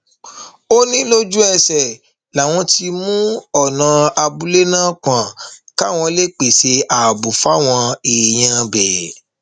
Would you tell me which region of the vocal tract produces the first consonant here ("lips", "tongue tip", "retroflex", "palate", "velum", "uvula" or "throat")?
tongue tip